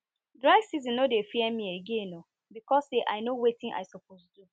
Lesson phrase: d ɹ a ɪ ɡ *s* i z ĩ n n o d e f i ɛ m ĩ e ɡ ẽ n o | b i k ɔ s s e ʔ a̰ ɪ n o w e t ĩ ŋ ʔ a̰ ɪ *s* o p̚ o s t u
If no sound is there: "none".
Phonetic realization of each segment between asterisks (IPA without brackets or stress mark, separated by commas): s, s